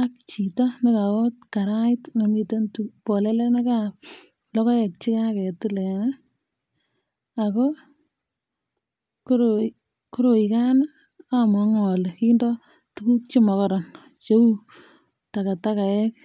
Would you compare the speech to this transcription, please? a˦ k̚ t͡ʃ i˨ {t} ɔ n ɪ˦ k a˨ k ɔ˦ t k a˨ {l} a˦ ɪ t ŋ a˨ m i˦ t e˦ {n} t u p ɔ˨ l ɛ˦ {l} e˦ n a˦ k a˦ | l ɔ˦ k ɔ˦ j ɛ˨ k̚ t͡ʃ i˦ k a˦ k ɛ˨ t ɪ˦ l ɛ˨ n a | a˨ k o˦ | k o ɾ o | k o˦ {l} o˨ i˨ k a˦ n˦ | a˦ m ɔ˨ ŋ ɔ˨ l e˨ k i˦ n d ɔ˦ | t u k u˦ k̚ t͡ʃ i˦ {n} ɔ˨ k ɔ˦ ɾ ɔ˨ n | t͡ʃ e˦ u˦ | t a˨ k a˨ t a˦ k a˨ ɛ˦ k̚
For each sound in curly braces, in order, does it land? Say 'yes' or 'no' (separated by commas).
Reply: yes, no, yes, yes, no, no